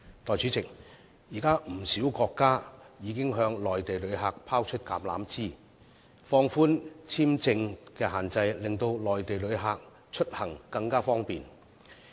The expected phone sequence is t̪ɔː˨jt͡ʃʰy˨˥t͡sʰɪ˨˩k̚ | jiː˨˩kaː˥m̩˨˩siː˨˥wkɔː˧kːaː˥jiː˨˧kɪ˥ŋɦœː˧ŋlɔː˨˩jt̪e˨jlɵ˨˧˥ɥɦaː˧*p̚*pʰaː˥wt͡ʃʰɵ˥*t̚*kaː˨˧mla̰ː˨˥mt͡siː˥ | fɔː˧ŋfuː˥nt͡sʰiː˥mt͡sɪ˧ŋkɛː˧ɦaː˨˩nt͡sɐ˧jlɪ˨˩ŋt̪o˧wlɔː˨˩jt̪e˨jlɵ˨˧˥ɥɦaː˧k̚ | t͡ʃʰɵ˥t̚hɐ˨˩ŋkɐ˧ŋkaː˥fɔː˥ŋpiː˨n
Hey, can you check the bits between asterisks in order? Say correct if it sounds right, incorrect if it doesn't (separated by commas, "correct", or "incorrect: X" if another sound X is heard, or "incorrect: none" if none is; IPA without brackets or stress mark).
incorrect: k̚, correct